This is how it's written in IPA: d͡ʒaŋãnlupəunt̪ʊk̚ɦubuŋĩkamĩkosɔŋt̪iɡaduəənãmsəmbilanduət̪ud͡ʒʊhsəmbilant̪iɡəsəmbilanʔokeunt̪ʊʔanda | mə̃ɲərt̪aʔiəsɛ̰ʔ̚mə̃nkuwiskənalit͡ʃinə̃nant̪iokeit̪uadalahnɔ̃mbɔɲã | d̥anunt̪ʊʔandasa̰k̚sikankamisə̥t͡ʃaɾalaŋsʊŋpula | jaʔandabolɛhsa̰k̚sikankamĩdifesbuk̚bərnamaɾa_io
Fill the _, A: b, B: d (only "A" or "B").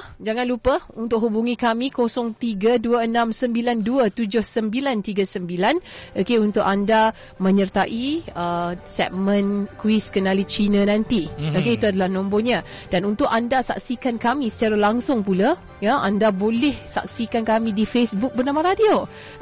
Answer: B